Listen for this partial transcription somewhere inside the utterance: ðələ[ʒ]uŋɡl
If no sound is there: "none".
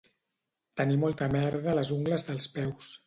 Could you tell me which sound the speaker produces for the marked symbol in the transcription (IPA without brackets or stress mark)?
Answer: z